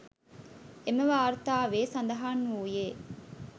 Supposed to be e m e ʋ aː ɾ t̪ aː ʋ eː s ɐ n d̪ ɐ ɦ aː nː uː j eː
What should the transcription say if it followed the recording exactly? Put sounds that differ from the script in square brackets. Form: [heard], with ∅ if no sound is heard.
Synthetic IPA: e m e ʋ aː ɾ t̪ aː ʋ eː s ɐ n d̪ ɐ ɦ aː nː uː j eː